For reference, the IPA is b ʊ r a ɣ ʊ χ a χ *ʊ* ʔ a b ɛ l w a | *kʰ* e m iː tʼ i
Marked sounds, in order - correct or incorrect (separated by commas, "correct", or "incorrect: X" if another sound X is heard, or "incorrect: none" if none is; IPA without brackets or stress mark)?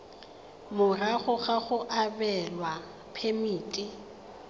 correct, incorrect: pʰ